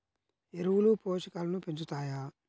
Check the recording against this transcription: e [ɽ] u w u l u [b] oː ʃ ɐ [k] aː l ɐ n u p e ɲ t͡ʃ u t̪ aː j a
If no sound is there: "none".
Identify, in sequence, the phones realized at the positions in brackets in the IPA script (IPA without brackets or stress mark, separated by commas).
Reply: ɾ, p, k